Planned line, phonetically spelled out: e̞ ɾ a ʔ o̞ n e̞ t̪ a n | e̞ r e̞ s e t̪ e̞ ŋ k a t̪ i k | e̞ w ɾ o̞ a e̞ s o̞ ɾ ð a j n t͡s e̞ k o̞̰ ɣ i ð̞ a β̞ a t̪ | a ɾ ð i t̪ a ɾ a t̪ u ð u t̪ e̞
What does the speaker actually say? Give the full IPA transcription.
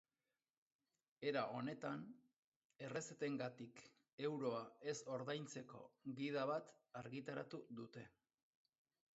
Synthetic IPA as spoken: e̞ ɾ a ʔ o̞ n e̞ t̪ a n | e̞ r e̞ s e t̪ e̞ ŋ ɡ a t̪ i k | e̞ w ɾ o̞ a e̞ s o̞ ɾ ð a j n t͡s e̞ k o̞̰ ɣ i ð̞ a β̞ a t̪ | a ɾ ɣ i t̪ a ɾ a t̪ u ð u t̪ e̞

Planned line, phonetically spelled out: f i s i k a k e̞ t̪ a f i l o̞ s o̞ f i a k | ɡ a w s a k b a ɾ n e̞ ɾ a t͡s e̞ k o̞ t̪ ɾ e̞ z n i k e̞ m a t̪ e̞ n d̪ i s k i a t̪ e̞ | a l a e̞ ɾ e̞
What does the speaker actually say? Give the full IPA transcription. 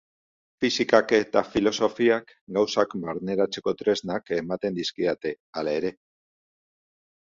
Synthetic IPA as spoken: f i s i k a k e̞ t̪ a f i l o̞ s o̞ f i a k | ɡ a w s a k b a ɾ n e̞ ɾ a t͡s e̞ k o̞ t̪ ɾ e̞ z n a k e̞ m a t̪ e̞ n d̪ i s k i a t̪ e̞ | a l a e̞ ɾ e̞

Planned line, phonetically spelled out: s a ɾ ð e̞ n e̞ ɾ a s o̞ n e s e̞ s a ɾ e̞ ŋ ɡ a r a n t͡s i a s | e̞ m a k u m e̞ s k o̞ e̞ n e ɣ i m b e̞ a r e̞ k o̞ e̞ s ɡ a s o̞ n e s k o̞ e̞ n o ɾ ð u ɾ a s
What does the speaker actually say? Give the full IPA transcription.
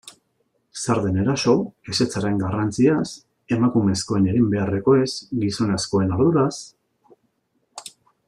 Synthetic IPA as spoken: s a ɾ ð e̞ n e̞ ɾ a s o̞ e s e̞ t͡s a ɾ e̞ ŋ ɡ a r a n t͡s i a s | e̞ m a k u m e̞ s k o̞ e̞ n e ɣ i m b e̞ a r e̞ k o̞ e̞ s ɡ i s o̞ n e s k o̞ e̞ n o ɾ ð u ɾ a s

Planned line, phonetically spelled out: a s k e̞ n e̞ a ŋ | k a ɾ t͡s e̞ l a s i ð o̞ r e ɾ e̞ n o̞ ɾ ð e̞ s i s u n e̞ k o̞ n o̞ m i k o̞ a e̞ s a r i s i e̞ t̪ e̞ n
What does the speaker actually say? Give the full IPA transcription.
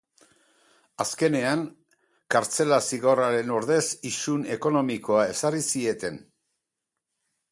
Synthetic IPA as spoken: a s k e̞ n e̞ a ŋ | k a ɾ t͡s e̞ l a s i ɣ o̞ r a ɾ e̞ n o̞ ɾ ð e̞ s i s u n e̞ k o̞ n o̞ m i k o̞ a e̞ s a r i s i e̞ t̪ e̞ n

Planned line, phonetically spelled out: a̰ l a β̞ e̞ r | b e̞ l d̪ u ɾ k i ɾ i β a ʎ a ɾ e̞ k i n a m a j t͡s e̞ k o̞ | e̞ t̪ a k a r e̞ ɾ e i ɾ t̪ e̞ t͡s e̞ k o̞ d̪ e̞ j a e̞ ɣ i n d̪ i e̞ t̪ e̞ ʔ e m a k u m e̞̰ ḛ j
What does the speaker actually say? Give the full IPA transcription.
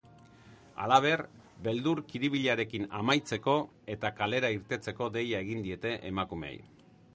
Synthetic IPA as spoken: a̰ l a β̞ e̞ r | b e̞ l d̪ u ɾ k i ɾ i β i ʎ a ɾ e̞ k i n a m a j t͡s e̞ k o̞ | e̞ t̪ a k a l e̞ ɾ a i ɾ t̪ e̞ t͡s e̞ k o̞ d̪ e̞ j a e̞ ɣ i n d̪ i e̞ t̪ e̞ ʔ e m a k u m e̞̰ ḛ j

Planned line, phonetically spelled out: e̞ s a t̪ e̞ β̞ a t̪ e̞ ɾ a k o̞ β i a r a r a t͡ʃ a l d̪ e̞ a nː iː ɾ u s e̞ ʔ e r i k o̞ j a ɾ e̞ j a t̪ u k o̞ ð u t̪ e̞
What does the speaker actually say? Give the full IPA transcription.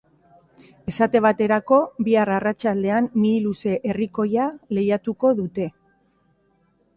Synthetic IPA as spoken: e̞ s a t̪ e̞ β̞ a t̪ e̞ ɾ a k o̞ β i a r a r a t͡ʃ a l d̪ e̞ a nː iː l u s e̞ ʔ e r i k o̞ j a l e̞ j a t̪ u k o̞ ð u t̪ e̞

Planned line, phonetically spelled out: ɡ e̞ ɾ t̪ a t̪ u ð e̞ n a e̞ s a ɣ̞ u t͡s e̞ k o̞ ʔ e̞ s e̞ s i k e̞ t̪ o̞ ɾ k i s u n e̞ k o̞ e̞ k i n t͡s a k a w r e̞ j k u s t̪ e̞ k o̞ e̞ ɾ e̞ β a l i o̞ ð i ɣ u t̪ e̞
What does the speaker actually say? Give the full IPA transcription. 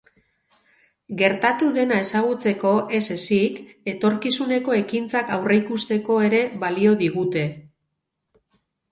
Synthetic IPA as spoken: ɡ e̞ ɾ t̪ a t̪ u ð e̞ n a e̞ s a ɣ̞ u t͡s e̞ k o̞ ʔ e̞ s e̞ s i k e̞ t̪ o̞ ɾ k i s u n e̞ k o̞ e̞ k i n t͡s a k a w r e̞ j k u s t̪ e̞ k o̞ e̞ ɾ e̞ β a l i o̞ ð i ɣ u t̪ e̞

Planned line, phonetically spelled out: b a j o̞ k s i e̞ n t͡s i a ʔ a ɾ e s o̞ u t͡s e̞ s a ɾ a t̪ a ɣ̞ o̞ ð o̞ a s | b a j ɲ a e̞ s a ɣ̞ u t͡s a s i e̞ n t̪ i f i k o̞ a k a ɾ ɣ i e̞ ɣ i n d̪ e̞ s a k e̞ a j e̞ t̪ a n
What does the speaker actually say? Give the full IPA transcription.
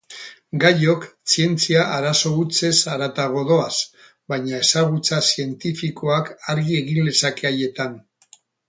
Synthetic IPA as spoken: ɡ a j o̞ k s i e̞ n t͡s i a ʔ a ɾ a s o̞ u t͡s e̞ s a ɾ a t̪ a ɣ̞ o̞ ð o̞ a s | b a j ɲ a e̞ s a ɣ̞ u t͡s a s i e̞ n t̪ i f i k o̞ a k a ɾ ɣ i e̞ ɣ i n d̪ e̞ s a k e̞ a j e̞ t̪ a n

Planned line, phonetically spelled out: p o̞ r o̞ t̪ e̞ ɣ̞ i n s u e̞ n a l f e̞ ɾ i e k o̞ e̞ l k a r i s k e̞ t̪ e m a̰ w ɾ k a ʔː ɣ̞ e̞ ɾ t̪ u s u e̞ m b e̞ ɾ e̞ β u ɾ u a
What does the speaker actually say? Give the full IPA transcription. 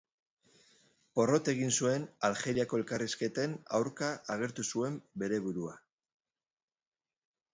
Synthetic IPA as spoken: p o̞ r o̞ t̪ e̞ ɣ̞ i n s u e̞ n a l x e̞ ɾ i a k o̞ e̞ l k a r i s k e̞ t̪ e n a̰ w ɾ k a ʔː ɣ̞ e̞ ɾ t̪ u s u e̞ m b e̞ ɾ e̞ β u ɾ u a

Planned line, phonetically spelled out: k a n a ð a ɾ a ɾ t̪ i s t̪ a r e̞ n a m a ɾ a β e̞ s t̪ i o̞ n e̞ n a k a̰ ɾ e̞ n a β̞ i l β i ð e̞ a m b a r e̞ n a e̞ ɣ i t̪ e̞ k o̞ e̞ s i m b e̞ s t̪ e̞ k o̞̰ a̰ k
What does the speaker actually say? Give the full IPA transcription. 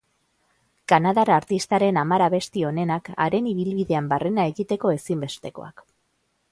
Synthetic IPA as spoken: k a n a ð a ɾ a ɾ t̪ i s t̪ a ɾ e̞ n a m a ɾ a β e̞ s t̪ i o̞ n e̞ n a k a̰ ɾ e̞ n i β̞ i l β i ð e̞ a m b a r e̞ n a e̞ ɣ i t̪ e̞ k o̞ e̞ s i m b e̞ s t̪ e̞ k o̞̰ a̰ k

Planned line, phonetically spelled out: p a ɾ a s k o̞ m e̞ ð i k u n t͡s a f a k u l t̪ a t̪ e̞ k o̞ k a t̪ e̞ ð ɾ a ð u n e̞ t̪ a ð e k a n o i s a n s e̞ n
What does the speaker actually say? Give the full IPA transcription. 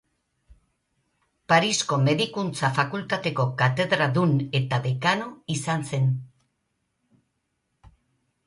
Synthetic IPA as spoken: p a ɾ i s k o̞ m e̞ ð i k u n t͡s a f a k u l t̪ a t̪ e̞ k o̞ k a t̪ e̞ ð ɾ a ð u n e̞ t̪ a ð e k a n o i s a n s e̞ n

